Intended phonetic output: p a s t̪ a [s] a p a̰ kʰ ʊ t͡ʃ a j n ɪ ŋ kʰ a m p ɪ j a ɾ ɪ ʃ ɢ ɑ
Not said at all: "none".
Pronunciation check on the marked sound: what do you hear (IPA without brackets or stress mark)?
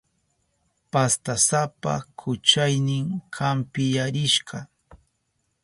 s